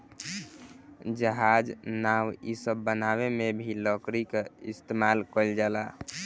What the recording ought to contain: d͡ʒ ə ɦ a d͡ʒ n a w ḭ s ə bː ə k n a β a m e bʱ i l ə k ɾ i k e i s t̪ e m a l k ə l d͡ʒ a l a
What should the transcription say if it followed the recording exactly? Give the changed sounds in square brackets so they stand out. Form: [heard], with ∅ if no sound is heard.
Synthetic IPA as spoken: d͡ʒ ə ɦ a d͡ʒ n a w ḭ s ə bː ə [∅] n a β [e] m e bʱ i l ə k ɾ i k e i s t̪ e m a l k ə l d͡ʒ a l a